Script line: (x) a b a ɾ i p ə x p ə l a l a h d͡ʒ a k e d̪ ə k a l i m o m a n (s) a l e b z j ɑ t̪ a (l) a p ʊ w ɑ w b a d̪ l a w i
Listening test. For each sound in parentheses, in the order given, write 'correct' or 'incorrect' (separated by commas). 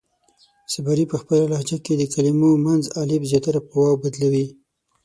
incorrect, incorrect, incorrect